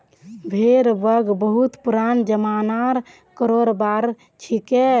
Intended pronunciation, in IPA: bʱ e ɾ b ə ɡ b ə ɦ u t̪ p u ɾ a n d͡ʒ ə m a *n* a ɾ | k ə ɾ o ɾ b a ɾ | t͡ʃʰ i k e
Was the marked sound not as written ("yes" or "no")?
no